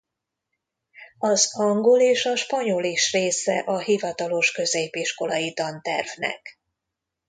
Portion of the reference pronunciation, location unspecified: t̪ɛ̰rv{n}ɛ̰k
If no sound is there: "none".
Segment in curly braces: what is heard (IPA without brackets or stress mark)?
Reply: n